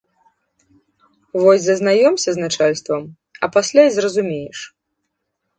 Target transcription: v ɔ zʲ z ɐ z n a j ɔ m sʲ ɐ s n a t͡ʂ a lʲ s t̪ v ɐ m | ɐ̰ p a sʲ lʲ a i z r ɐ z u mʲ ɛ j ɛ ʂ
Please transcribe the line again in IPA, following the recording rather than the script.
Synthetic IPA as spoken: v ɔ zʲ z ɐ z n a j ɔ m sʲ ɐ z n a t͡ʂ a lʲ s t̪ v ɐ m | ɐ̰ p a sʲ lʲ a j z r ɐ z u mʲ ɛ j ɛ ʂ